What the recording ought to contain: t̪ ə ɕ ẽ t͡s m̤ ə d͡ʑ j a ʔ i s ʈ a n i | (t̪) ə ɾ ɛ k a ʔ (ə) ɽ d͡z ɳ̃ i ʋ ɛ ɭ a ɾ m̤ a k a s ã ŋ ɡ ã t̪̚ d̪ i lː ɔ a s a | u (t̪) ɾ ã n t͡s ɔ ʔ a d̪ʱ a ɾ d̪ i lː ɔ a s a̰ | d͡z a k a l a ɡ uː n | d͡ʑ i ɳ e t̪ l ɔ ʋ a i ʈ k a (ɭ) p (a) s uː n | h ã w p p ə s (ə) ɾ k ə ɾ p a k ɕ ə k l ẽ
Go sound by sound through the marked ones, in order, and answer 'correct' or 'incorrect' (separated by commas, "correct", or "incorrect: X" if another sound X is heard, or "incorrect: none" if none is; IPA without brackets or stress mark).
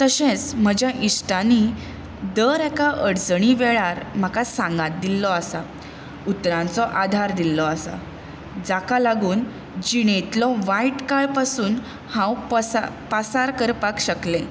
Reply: incorrect: d̪, correct, correct, correct, correct, incorrect: a